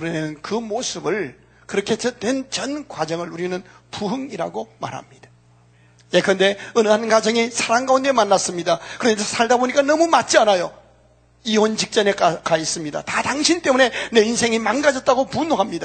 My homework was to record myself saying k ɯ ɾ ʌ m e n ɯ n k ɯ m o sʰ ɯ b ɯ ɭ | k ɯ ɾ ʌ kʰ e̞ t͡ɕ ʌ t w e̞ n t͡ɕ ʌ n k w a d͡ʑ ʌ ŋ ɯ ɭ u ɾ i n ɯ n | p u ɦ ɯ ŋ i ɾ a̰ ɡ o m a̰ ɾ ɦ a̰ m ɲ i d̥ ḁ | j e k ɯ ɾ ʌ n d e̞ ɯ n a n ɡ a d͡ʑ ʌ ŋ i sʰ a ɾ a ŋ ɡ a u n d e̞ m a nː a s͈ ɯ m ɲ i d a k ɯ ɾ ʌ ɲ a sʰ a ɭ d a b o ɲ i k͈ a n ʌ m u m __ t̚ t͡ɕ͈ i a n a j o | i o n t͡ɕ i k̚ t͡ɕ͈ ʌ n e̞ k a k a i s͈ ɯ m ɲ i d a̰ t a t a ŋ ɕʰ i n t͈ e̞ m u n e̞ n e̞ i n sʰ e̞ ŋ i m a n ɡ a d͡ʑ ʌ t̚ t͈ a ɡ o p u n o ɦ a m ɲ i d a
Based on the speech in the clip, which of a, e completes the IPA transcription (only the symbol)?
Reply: a